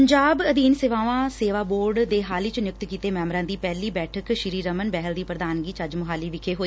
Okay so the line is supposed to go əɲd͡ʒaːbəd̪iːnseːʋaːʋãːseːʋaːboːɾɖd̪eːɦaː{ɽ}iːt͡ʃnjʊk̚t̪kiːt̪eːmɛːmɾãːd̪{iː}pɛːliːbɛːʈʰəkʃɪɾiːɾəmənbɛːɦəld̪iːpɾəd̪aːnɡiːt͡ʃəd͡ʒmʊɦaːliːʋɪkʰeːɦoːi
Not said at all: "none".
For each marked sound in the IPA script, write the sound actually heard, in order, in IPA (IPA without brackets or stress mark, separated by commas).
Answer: l, iː